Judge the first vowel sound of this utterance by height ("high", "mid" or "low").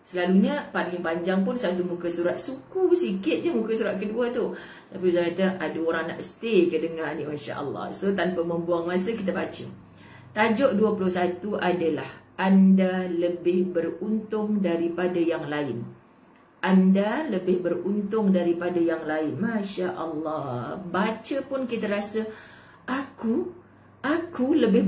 mid